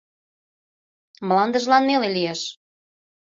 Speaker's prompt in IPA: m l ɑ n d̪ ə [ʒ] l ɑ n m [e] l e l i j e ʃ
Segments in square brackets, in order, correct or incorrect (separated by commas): correct, correct